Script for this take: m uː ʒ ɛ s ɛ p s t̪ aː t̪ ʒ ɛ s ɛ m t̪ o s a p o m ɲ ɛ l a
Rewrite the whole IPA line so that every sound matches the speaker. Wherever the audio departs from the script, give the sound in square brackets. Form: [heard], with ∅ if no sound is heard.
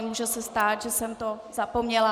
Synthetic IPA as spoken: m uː ʒ ɛ s ɛ [∅] s t̪ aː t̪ ʒ ɛ s ɛ m t̪ o [z] a p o m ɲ ɛ l a